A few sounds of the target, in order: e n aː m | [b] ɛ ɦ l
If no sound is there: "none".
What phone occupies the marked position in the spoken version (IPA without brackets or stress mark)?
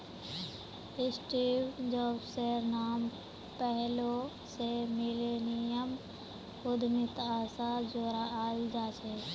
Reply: p